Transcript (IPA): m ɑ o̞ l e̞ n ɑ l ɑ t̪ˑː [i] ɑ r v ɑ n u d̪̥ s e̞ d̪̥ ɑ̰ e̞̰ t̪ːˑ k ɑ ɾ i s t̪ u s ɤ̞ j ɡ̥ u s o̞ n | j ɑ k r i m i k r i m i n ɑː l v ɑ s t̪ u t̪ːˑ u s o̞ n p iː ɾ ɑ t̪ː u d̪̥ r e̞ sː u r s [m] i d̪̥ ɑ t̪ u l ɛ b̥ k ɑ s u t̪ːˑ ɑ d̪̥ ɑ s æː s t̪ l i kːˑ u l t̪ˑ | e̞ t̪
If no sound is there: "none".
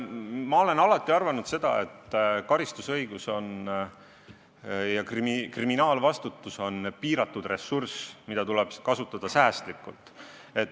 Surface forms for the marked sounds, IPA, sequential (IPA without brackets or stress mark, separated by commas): i, m